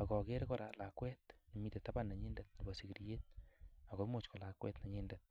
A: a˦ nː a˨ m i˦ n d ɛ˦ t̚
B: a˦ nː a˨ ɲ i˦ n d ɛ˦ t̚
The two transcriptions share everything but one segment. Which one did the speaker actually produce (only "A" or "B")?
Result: B